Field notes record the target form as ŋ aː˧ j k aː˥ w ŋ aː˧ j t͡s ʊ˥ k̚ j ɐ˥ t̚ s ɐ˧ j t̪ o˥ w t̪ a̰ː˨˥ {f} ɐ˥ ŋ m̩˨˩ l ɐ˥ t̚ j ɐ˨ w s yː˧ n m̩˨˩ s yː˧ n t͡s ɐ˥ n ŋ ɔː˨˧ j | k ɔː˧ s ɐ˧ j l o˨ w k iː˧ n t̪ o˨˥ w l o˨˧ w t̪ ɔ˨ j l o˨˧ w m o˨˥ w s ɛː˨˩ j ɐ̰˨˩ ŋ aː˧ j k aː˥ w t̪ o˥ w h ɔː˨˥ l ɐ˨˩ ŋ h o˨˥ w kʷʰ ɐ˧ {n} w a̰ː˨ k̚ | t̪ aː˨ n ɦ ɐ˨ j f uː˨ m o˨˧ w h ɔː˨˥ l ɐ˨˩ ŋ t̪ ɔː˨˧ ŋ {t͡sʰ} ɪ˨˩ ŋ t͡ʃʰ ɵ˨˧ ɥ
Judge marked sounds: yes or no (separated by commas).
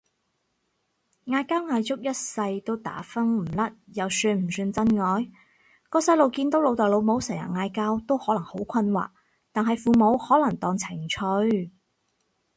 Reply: yes, yes, yes